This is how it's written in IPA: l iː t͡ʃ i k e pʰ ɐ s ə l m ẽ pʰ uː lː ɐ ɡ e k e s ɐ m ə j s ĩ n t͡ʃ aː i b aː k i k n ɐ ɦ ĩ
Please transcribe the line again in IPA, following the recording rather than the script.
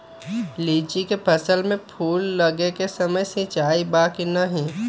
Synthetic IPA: l iː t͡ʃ i k e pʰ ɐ s ə l m ẽ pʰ uː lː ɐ ɡ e k e s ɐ m ə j s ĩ t͡ʃ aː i b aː k i n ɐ ɦ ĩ